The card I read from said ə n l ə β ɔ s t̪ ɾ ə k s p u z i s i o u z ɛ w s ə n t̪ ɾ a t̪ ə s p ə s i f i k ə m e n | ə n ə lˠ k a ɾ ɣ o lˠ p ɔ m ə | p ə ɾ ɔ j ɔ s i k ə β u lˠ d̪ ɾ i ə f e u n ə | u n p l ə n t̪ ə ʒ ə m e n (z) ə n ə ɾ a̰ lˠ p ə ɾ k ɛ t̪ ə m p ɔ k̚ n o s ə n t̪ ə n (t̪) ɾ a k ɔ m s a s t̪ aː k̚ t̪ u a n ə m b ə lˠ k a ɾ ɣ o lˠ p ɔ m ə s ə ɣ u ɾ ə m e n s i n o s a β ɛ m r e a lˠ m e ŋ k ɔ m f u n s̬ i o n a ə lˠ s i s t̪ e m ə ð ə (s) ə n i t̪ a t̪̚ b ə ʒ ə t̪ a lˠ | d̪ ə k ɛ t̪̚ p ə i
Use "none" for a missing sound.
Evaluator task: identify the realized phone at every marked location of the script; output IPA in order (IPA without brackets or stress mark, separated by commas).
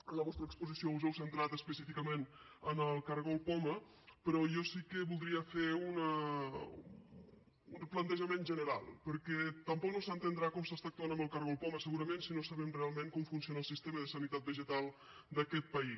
ʒ, d̪, s